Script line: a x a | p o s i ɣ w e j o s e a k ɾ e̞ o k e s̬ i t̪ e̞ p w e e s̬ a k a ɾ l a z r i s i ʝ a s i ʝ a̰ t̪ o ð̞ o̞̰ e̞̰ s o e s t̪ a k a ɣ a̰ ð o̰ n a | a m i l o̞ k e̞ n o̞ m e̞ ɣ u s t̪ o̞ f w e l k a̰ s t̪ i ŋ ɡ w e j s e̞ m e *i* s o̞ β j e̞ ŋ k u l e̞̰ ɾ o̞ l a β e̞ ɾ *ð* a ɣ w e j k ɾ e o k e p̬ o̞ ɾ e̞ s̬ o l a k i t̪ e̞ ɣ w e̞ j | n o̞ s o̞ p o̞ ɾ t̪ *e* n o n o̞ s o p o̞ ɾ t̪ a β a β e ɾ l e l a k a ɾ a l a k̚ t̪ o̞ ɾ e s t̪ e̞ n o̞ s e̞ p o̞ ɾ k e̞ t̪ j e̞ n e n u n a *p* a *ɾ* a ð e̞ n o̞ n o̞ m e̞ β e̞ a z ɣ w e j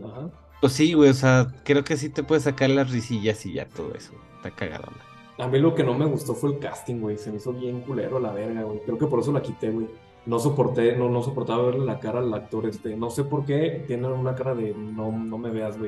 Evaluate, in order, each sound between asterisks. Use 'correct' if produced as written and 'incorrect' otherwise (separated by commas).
correct, incorrect, correct, incorrect, correct